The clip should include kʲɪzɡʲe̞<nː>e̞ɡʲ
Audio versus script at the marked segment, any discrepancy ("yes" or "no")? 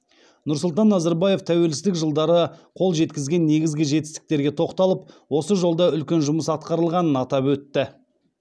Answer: no